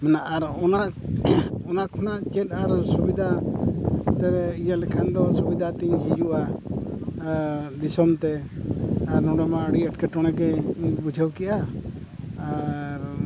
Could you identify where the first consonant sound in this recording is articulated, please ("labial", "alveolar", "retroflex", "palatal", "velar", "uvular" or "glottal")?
labial